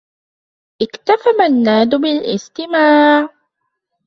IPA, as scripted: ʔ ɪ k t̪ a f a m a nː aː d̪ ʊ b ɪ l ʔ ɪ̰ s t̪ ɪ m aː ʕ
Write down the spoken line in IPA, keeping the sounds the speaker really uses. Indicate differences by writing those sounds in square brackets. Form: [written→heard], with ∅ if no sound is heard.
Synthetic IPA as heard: ʔ ɪ k t̪ a f a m a nː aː d̪ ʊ b ɪ l ʔ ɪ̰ s t̪ ɪ m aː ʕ